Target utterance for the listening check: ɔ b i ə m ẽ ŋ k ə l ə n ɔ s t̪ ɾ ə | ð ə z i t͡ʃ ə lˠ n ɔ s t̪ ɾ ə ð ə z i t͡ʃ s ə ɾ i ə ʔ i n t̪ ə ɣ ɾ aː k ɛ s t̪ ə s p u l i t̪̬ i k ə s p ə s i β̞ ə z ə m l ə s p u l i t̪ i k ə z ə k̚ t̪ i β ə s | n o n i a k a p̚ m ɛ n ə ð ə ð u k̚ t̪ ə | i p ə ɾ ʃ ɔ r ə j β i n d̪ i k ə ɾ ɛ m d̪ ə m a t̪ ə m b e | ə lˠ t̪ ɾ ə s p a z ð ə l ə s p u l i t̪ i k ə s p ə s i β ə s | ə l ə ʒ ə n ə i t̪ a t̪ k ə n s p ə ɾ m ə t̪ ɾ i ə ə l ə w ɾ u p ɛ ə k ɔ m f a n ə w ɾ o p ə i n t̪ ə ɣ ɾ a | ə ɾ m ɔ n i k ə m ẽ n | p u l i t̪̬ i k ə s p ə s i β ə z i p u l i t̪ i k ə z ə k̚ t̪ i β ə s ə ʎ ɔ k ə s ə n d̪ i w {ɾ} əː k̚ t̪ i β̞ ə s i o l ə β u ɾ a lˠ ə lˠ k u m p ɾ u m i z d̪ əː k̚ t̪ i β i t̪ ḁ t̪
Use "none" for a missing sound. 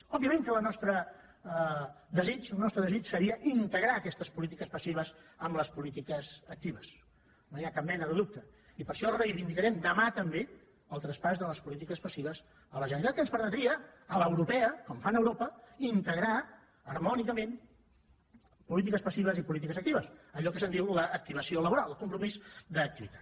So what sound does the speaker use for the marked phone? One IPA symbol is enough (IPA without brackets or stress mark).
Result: l